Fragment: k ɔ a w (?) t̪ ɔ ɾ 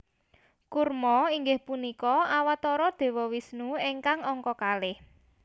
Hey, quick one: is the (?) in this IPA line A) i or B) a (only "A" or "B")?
B